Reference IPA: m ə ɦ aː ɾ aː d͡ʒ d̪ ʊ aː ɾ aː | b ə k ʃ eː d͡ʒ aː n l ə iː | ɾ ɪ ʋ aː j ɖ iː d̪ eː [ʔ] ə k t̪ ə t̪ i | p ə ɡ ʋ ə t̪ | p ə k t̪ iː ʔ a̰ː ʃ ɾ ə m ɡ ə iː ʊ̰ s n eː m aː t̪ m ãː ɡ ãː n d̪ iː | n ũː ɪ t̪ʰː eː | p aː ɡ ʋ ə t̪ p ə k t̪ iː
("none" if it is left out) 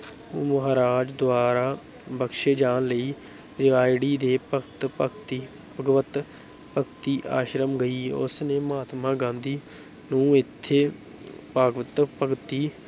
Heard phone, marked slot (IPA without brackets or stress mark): p